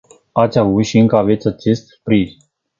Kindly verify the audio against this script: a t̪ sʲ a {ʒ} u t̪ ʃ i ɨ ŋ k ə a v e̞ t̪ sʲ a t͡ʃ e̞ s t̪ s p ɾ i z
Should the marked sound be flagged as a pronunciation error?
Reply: yes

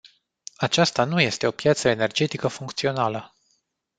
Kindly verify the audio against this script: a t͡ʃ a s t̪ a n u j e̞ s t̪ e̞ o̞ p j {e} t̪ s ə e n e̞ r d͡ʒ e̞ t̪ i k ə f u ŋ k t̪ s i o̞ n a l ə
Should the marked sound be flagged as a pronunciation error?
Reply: yes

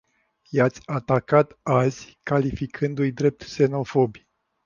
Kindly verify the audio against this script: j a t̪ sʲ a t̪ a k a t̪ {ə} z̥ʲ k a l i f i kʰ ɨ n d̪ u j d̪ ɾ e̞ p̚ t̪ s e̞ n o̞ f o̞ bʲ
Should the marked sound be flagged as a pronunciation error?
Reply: yes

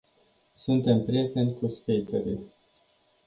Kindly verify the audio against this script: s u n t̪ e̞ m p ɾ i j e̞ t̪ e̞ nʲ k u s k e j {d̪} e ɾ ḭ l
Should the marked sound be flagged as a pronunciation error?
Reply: yes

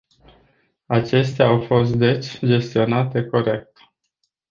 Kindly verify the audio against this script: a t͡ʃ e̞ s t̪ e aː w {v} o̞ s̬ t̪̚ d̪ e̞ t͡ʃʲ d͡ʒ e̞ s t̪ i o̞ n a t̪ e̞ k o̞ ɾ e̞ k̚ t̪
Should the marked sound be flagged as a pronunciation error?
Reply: yes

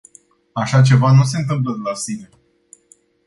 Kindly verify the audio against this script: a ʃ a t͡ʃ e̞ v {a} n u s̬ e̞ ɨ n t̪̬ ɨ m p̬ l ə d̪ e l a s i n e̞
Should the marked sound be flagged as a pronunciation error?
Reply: no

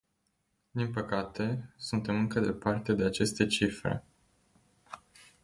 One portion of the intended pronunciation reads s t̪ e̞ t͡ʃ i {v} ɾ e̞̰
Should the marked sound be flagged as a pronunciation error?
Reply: yes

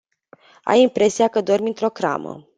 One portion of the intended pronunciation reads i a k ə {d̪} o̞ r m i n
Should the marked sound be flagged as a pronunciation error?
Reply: no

